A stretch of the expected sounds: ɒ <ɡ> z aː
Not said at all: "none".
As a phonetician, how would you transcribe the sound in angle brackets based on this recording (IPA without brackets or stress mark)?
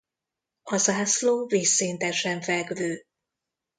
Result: none